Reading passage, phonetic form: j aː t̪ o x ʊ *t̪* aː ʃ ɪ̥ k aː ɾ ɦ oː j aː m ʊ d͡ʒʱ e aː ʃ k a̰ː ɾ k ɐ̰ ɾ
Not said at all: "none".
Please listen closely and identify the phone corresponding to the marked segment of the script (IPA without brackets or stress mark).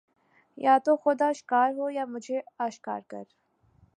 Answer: d̪